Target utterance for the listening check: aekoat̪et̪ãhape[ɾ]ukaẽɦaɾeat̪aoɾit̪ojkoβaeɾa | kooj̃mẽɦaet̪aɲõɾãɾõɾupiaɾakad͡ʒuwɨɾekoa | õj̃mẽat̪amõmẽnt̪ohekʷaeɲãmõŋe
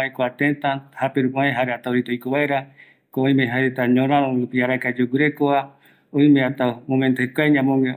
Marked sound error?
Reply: no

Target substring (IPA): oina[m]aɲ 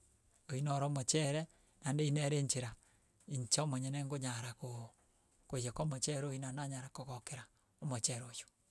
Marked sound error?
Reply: yes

